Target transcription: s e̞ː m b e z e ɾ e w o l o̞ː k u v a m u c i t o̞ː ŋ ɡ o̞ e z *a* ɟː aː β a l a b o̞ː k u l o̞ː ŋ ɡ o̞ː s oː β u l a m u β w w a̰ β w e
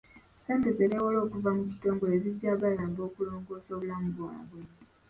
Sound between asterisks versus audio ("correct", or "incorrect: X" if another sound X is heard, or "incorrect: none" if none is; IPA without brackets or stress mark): incorrect: i